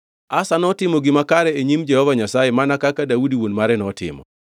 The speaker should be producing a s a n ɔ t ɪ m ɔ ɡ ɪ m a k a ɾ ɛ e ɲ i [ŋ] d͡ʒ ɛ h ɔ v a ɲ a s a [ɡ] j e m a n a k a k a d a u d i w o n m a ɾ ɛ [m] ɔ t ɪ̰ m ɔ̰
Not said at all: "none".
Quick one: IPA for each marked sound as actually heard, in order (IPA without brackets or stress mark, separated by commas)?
m, none, n